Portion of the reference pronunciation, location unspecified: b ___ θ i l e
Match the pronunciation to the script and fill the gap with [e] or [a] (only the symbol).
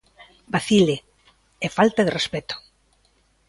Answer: a